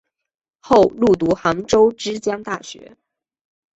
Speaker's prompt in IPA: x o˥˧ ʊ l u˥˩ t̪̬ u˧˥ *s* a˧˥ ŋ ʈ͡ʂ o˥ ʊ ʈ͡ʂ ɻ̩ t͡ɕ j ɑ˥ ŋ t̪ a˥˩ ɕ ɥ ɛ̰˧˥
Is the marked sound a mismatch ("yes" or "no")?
yes